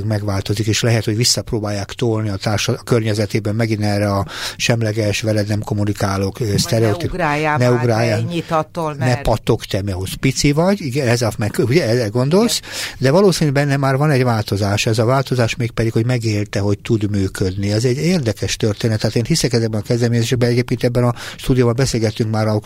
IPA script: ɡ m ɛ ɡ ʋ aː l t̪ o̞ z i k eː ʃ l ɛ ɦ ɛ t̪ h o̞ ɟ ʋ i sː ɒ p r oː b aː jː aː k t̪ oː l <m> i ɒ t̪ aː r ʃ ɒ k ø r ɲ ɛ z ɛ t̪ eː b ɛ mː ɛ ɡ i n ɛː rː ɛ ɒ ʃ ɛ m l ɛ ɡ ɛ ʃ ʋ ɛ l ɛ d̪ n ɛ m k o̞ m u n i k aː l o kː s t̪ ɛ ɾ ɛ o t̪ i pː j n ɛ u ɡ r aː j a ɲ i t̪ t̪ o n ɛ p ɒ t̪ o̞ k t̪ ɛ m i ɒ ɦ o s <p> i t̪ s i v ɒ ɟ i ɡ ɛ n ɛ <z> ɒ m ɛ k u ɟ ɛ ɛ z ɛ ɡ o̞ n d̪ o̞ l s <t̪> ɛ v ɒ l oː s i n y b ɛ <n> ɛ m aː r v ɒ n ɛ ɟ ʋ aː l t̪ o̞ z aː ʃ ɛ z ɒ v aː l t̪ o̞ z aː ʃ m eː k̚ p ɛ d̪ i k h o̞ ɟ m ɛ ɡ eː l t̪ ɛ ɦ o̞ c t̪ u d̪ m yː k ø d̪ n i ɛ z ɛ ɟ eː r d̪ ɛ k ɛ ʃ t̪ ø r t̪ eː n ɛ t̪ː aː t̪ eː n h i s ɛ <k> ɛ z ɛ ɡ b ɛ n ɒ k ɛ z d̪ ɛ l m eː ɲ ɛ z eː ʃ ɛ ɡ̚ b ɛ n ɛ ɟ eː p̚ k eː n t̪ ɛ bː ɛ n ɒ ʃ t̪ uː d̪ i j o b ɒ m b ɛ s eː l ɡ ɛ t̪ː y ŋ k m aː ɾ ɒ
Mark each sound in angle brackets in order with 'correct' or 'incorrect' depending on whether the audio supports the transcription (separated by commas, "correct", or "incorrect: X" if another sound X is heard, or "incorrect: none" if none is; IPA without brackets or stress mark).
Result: incorrect: n, correct, correct, incorrect: d̪, incorrect: nː, correct